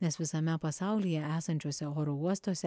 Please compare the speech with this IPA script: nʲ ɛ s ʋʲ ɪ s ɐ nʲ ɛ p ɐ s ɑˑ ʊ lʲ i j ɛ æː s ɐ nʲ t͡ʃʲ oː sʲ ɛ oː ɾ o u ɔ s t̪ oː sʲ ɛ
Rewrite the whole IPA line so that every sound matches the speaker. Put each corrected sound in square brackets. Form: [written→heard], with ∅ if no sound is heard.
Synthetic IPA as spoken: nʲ ɛ s ʋʲ ɪ s ɐ [nʲ→mʲ] ɛ p ɐ s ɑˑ ʊ lʲ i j ɛ æː s ɐ nʲ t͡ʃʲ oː sʲ ɛ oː ɾ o u ɔ s t̪ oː sʲ ɛ